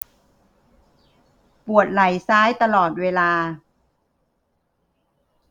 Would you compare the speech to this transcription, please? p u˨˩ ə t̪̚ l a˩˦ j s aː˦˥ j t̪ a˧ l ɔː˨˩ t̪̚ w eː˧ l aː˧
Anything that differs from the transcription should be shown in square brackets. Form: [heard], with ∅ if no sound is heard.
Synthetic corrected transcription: p u˨˩ ə t̪̚ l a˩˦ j s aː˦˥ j t̪ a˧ l ɔː˨˩ t̪̚ w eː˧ l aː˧